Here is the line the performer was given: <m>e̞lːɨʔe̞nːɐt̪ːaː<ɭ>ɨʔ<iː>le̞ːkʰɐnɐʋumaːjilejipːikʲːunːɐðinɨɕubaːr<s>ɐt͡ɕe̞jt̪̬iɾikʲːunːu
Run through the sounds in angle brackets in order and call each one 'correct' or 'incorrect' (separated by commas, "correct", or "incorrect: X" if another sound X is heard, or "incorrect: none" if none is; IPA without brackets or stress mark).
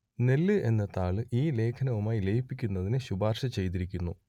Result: incorrect: n, correct, correct, incorrect: ʂ